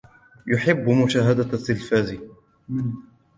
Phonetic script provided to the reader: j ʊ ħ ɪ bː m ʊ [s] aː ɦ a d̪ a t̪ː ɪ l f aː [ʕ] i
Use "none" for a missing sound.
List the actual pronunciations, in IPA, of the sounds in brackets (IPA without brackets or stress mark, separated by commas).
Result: ʃ, z